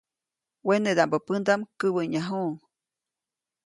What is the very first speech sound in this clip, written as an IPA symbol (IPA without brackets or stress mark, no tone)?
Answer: w